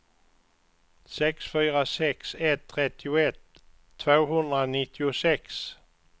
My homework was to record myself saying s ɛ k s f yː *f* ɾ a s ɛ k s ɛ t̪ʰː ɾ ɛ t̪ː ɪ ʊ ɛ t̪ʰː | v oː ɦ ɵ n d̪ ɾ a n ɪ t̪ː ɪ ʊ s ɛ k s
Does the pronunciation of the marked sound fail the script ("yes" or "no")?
yes